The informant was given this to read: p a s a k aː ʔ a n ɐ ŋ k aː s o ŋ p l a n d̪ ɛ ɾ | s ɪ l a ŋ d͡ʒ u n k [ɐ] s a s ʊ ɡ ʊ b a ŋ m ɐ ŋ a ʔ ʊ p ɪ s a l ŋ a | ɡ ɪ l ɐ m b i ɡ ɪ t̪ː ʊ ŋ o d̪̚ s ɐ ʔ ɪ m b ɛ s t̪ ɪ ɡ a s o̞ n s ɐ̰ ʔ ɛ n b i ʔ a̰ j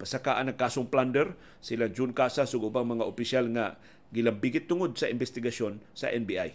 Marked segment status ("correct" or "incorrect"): incorrect